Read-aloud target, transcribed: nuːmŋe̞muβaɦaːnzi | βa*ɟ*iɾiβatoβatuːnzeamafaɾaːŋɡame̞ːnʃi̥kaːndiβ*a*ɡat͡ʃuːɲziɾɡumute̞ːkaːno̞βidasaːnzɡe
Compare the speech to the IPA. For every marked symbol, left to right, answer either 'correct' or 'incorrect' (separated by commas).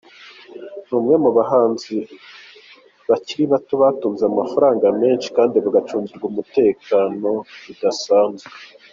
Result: incorrect, correct